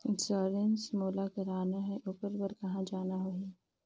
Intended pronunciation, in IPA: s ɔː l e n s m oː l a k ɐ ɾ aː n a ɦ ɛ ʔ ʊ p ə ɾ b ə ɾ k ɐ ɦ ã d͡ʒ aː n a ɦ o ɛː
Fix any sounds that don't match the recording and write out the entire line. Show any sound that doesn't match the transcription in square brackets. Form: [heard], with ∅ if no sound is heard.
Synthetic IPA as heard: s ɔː [ɾ] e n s m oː l a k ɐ ɾ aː n a ɦ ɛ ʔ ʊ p ə ɾ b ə ɾ k ɐ ɦ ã d͡ʒ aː n a ɦ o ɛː